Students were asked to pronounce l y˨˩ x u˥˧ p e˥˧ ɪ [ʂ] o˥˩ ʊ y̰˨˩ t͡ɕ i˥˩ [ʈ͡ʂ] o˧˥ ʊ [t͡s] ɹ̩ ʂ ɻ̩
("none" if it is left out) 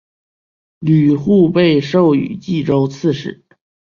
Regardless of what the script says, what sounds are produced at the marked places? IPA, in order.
ʂ, ʈ͡ʂ, t͡sʰ

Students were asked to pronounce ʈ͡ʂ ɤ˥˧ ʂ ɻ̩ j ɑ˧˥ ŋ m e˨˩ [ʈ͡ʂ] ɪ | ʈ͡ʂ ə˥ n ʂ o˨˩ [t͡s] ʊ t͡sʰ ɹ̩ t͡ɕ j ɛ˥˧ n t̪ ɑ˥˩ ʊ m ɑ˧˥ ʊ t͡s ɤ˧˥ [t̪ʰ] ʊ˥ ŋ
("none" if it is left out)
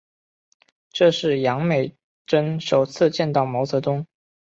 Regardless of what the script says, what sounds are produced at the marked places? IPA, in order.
none, none, t̪

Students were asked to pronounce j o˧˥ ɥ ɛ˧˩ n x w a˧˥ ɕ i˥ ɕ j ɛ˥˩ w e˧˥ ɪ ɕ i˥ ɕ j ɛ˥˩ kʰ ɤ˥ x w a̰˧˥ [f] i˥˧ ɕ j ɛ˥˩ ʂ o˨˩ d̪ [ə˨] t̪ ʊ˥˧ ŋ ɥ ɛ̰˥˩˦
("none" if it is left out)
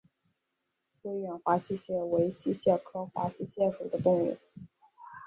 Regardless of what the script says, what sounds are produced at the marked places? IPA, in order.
ɕ, ə˦

